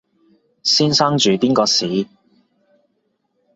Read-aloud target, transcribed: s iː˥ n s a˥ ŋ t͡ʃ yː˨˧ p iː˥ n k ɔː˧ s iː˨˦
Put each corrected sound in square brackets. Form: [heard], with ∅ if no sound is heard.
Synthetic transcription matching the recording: s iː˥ n s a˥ ŋ t͡ʃ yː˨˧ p iː˥ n k ɔː˧ s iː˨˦